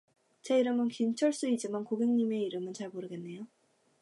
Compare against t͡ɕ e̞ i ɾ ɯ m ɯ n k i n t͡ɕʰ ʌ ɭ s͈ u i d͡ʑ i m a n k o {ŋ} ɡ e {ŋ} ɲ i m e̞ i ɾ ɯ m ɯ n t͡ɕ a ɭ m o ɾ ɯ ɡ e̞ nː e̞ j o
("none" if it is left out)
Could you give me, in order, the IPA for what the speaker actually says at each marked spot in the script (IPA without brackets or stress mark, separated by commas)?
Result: none, ŋ